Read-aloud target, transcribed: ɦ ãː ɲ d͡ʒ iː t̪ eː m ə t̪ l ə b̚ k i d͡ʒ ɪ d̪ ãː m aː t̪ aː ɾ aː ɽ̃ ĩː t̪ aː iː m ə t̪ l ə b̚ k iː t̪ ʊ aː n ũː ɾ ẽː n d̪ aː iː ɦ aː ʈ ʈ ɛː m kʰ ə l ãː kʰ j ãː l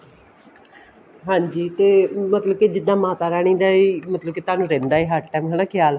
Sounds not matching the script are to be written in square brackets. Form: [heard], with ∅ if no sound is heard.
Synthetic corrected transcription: ɦ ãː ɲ d͡ʒ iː t̪ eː m ə t̪ l ə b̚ k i d͡ʒ ɪ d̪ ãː m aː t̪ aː ɾ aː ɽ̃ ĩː [d̪] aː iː m ə t̪ l ə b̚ k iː t̪ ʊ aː n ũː ɾ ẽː n d̪ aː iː ɦ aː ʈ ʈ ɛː m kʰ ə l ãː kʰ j [aː] l